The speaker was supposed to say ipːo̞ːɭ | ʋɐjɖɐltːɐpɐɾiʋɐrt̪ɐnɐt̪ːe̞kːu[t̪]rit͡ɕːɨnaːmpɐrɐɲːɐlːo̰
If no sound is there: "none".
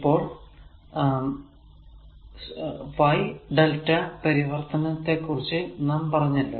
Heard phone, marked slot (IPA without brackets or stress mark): none